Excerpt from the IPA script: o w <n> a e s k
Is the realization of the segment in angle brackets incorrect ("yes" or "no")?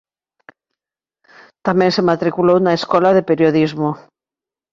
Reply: no